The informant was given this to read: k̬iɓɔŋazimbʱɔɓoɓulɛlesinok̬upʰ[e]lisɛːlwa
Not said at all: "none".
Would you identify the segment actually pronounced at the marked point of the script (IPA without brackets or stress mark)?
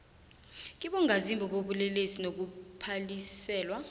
a